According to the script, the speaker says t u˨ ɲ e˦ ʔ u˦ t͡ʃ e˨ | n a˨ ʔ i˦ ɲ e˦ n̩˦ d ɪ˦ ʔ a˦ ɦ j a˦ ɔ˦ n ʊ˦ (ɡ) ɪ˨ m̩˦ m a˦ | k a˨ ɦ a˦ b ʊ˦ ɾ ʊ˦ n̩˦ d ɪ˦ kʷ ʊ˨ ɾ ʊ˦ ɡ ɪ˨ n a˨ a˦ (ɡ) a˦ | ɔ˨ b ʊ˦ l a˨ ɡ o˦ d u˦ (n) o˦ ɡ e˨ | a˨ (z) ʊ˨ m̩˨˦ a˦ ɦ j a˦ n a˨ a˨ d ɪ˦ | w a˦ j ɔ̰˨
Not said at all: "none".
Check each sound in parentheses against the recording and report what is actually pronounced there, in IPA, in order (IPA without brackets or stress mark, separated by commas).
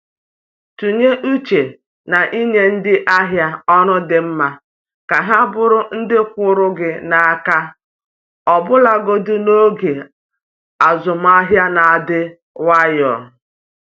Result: d, k, n, z